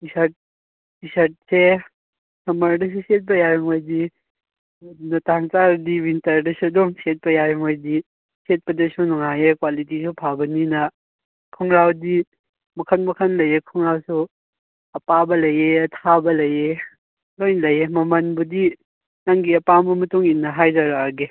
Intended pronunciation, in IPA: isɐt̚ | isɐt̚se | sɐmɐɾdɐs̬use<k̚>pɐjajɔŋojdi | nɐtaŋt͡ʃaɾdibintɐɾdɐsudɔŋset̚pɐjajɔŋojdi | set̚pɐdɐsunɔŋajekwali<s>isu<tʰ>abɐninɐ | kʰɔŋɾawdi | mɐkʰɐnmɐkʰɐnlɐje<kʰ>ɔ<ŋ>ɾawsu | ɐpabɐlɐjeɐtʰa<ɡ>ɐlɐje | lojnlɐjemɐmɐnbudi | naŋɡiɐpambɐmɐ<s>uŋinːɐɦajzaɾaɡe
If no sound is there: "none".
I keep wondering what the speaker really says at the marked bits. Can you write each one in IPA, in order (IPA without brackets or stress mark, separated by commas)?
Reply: t̚, t, pʰ, kʰ, ŋ, b, t